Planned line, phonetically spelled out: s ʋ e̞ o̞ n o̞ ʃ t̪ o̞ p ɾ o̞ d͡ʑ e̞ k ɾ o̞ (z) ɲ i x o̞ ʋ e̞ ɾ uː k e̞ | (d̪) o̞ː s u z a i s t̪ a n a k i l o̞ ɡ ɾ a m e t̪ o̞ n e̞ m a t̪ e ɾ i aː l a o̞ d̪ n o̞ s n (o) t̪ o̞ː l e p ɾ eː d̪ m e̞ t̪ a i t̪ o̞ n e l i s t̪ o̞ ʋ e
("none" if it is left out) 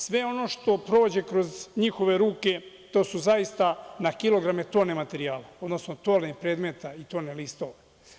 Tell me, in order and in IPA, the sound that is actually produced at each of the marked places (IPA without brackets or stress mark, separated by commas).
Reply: z, t̪, o